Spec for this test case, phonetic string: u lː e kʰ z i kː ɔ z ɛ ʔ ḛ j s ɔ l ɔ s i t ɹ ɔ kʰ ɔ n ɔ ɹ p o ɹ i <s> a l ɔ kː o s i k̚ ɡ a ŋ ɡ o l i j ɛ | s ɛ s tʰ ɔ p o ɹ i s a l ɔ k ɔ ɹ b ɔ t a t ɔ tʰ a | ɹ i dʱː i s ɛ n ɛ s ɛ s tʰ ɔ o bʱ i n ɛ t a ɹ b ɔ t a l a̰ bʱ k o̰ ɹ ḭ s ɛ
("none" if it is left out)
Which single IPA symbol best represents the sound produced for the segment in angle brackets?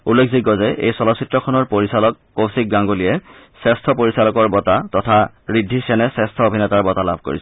s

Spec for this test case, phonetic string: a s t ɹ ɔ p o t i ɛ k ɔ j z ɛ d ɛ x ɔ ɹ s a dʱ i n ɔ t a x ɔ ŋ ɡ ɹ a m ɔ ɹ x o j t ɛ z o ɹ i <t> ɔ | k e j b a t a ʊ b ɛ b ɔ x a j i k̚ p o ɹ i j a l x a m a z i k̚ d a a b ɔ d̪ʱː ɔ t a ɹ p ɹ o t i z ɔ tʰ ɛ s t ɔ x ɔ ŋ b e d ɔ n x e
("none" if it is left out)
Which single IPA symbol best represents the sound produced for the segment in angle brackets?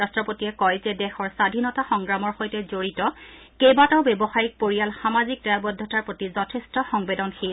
t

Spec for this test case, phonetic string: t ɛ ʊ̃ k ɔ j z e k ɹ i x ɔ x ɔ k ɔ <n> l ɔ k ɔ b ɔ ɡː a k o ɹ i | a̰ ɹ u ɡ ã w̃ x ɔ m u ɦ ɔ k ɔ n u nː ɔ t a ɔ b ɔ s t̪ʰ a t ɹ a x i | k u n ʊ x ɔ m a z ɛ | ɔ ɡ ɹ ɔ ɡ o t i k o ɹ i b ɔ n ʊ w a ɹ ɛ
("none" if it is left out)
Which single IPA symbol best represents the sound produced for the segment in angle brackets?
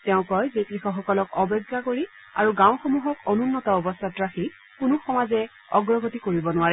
none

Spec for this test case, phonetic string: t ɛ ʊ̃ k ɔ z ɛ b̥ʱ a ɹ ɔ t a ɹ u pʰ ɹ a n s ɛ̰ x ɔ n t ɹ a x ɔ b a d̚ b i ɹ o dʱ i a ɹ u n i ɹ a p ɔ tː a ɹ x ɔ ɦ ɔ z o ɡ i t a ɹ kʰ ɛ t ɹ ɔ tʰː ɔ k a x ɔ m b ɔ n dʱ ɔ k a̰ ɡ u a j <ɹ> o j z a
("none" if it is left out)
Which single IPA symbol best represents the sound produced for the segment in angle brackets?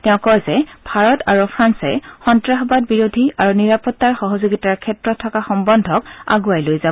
l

